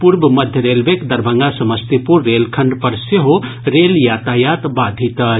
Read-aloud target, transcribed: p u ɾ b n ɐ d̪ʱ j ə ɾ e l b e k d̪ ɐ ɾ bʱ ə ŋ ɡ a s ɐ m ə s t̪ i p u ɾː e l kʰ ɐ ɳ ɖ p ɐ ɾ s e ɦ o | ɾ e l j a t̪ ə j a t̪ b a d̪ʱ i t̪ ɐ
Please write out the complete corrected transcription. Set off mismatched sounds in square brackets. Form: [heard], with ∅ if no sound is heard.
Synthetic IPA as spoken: p u ɾ b [m] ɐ d̪ʱ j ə ɾ e l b e k d̪ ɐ ɾ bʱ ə ŋ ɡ a s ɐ m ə s t̪ i p u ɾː e l kʰ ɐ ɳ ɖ p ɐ ɾ s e ɦ o | ɾ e l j a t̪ [a] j a t̪ b a d̪ʱ i t̪ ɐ